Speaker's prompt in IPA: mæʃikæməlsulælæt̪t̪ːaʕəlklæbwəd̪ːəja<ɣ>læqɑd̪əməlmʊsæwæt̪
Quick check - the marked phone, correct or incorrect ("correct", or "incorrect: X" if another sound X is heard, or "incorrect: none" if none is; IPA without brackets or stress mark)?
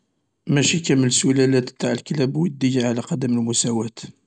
incorrect: ʕ